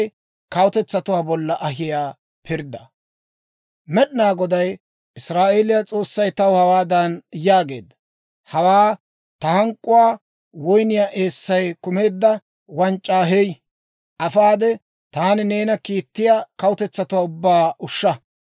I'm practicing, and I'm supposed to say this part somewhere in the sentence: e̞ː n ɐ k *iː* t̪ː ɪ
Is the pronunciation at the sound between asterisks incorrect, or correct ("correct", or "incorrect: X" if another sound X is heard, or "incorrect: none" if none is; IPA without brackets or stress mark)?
correct